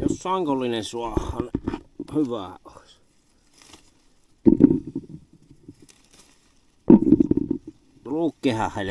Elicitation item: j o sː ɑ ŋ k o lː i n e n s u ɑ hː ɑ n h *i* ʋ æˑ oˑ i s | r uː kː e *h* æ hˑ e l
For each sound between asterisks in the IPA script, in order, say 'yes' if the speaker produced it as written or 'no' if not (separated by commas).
no, yes